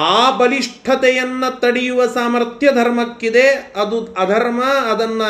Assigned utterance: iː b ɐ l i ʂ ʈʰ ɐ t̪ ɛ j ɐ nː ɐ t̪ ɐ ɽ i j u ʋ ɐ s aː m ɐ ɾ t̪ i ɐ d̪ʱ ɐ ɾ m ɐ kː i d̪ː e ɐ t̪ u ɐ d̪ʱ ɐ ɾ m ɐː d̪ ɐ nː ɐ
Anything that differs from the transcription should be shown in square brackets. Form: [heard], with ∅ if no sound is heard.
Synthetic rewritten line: [aː] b ɐ l i ʂ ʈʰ ɐ t̪ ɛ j ɐ nː ɐ t̪ ɐ ɽ i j u ʋ ɐ s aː m ɐ ɾ t̪ [j] ɐ d̪ʱ ɐ ɾ m ɐ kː i [d̪] e ɐ [d̪] u ɐ d̪ʱ ɐ ɾ m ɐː d̪ ɐ nː ɐ